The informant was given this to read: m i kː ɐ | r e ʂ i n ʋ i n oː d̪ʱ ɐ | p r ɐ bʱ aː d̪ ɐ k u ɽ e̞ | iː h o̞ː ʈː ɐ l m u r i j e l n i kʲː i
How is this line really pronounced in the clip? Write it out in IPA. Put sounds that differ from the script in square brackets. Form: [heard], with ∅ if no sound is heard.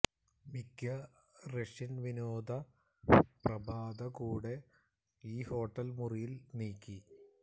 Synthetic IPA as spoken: m i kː ɐ | r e ʂ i n ʋ i n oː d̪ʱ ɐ | p r ɐ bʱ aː d̪ ɐ k [uː] ɽ e̞ | iː h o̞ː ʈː ɐ l m u r i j [i] l n [iː] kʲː i